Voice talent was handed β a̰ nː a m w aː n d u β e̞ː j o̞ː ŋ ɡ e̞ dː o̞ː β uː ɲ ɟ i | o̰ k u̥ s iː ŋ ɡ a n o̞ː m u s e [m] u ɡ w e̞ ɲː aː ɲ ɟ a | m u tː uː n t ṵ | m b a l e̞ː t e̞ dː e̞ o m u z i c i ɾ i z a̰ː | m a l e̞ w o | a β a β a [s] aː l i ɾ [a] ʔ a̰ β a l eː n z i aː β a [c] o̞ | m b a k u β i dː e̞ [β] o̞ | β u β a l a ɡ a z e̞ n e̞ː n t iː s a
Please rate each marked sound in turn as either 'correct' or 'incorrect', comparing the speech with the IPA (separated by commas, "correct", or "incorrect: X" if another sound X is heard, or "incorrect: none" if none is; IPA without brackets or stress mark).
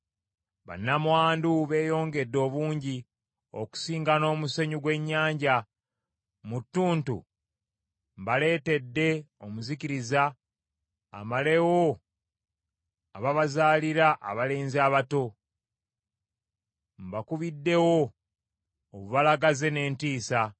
incorrect: ɲ, incorrect: z, correct, incorrect: t, incorrect: w